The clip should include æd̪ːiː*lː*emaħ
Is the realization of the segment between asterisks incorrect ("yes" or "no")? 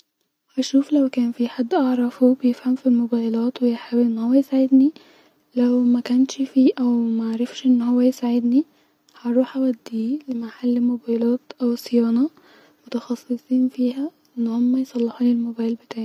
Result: yes